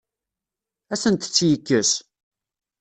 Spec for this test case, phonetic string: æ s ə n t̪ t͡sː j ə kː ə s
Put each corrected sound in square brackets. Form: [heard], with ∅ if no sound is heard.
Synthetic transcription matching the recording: æ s ə n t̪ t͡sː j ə kː ə s